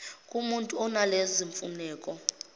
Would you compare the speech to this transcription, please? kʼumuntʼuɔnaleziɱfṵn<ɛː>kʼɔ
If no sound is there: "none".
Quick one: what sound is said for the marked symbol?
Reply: ɛː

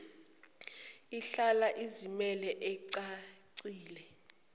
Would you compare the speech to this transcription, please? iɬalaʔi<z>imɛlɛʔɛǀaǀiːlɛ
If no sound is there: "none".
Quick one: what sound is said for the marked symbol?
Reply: z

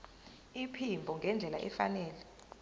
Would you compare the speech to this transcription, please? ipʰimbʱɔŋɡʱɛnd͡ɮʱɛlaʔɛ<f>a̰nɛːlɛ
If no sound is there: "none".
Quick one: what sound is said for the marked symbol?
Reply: f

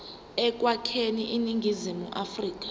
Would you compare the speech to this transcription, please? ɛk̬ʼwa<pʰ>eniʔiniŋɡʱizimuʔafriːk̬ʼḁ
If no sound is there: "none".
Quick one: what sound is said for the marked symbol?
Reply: kʰ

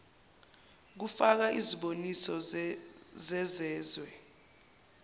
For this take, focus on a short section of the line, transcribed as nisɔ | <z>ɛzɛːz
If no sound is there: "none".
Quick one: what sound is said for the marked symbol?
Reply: z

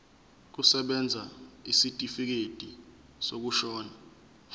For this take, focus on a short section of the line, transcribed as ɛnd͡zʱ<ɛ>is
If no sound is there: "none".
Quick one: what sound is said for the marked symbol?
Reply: a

